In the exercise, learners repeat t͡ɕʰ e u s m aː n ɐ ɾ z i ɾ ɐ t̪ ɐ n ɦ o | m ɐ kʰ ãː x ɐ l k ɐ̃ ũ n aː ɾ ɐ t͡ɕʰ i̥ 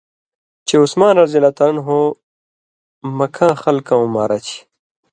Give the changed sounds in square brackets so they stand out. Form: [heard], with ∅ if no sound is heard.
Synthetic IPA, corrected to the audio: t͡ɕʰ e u s m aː n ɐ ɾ z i [l] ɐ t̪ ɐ n ɦ o | m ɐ kʰ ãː x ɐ l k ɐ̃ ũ [m] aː ɾ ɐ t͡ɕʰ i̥